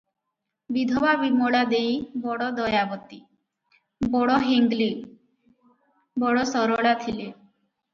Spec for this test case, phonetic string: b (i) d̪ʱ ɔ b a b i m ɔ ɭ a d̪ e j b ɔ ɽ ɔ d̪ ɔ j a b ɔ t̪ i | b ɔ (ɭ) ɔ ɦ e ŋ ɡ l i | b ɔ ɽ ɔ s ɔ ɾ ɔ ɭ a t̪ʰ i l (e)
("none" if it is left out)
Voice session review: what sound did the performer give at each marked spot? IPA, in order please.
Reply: i, ɽ, e

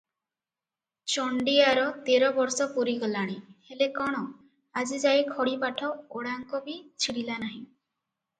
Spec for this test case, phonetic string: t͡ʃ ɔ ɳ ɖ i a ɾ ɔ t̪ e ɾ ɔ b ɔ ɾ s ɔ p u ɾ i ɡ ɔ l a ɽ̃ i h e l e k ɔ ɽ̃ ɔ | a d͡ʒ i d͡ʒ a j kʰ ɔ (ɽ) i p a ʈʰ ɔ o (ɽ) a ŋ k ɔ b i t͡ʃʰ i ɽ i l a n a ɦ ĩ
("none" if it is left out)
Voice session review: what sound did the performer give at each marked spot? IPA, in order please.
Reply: ɽ, ɽ

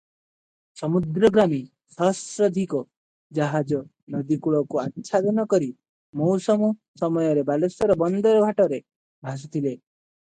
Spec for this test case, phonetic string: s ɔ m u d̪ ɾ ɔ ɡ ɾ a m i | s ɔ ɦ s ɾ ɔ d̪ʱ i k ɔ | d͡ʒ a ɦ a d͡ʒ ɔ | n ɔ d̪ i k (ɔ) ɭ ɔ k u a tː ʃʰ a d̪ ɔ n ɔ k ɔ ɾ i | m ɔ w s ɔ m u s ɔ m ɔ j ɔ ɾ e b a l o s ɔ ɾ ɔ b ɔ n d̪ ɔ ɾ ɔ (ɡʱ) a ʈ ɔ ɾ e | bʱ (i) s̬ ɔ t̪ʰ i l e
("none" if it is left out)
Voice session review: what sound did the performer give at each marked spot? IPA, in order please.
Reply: u, bʱ, a

